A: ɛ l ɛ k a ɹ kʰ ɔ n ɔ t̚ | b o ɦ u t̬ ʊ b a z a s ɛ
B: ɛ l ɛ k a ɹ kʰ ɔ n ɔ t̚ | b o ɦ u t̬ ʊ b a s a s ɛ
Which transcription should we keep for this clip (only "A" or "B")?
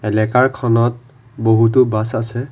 B